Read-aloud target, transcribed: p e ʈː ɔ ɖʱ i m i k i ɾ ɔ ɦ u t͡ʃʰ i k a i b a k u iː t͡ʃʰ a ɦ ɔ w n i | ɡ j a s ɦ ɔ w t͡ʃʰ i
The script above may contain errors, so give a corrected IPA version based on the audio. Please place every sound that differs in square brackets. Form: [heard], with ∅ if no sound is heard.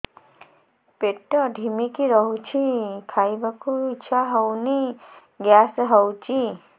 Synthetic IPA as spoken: p e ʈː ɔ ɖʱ i m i k i ɾ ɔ ɦ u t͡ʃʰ i [kʰ] a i b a k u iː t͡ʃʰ a ɦ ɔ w n i | ɡ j a s ɦ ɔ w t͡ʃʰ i